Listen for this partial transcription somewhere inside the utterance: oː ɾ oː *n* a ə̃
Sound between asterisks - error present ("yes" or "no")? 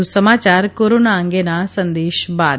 no